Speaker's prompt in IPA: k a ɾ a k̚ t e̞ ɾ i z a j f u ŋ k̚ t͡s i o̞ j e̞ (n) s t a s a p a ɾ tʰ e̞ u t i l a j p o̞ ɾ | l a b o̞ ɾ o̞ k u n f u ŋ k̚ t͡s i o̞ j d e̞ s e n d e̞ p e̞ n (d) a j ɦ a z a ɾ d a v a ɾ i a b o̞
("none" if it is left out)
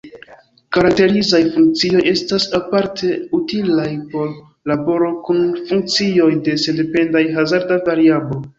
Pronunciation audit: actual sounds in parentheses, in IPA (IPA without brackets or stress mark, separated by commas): none, d